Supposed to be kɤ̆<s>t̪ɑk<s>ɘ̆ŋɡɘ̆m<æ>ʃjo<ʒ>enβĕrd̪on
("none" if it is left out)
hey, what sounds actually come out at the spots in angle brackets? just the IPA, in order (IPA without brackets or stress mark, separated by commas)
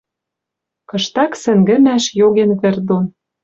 ʃ, s, æ, ɣ